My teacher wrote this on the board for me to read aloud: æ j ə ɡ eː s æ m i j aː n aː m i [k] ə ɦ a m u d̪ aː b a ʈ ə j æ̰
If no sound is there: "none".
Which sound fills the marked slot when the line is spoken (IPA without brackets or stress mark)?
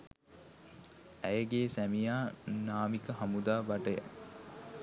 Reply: k